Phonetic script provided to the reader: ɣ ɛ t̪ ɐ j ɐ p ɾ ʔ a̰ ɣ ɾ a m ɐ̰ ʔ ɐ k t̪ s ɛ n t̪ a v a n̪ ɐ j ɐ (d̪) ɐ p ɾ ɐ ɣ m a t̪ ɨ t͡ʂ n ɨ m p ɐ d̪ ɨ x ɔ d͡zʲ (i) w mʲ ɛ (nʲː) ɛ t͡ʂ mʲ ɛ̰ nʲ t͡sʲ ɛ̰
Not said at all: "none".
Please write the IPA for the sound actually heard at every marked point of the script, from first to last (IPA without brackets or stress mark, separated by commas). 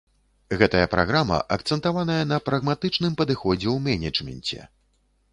n̪, ɛ, nʲ